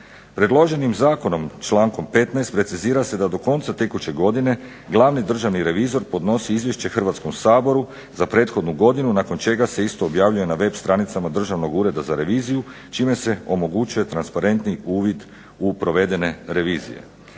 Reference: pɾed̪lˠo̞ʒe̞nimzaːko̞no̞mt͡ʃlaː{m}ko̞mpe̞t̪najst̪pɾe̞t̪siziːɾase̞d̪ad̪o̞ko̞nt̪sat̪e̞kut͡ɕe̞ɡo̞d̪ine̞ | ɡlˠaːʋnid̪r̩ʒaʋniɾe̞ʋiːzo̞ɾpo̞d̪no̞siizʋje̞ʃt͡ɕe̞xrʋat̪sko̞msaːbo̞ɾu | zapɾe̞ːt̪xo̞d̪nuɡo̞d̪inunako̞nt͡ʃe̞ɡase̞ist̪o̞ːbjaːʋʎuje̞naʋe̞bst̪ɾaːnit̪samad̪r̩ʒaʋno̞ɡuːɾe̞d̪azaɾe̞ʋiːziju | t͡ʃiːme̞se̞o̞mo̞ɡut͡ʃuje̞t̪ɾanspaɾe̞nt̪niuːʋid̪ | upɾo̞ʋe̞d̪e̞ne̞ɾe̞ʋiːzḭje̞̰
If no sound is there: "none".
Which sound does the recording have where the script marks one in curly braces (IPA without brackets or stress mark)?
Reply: ŋ